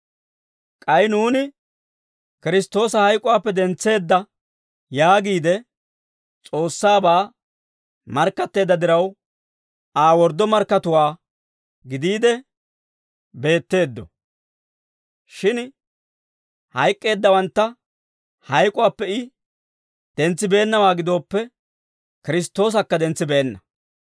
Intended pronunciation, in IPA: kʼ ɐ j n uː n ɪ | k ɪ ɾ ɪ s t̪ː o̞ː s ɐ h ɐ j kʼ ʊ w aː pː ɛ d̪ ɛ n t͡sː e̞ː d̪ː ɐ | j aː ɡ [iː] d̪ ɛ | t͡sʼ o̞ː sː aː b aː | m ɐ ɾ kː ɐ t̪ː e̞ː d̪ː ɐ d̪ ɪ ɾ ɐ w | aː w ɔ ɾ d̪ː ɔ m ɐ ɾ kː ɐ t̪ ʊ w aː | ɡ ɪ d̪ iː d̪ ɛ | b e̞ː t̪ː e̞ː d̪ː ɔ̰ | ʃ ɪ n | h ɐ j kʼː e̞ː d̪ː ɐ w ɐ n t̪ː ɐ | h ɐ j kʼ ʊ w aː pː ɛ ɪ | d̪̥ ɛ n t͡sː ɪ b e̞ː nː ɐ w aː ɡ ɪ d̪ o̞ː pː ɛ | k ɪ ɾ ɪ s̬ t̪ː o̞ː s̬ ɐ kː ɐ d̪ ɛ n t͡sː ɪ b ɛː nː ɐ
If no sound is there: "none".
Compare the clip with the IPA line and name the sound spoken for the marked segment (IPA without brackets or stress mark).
iː